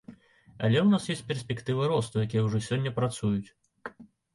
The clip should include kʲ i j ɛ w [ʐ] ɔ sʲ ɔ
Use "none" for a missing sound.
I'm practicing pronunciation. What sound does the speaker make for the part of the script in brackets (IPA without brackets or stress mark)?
ʐ